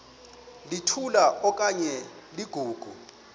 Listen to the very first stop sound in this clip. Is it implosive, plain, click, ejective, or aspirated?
aspirated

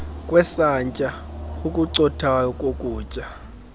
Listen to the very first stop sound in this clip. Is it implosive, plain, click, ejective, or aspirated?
ejective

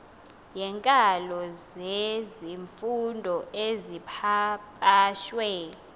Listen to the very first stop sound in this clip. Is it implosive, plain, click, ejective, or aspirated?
ejective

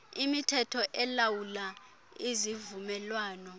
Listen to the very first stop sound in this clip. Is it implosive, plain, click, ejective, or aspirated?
aspirated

